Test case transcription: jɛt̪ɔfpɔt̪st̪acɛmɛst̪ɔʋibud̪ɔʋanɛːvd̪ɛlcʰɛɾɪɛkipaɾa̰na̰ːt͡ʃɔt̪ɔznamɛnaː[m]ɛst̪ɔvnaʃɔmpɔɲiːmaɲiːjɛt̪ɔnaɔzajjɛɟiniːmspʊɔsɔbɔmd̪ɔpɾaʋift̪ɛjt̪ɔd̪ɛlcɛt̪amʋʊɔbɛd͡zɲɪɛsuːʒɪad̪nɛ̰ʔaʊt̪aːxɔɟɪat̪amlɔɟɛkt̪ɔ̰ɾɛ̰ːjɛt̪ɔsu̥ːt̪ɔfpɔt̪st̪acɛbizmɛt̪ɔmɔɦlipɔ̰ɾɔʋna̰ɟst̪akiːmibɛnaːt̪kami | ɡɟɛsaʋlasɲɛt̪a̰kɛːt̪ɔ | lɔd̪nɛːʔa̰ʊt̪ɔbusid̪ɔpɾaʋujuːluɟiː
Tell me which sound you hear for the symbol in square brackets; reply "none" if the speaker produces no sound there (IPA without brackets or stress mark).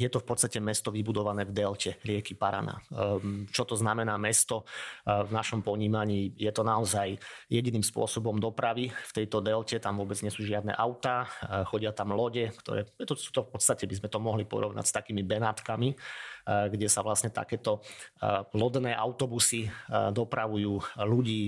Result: m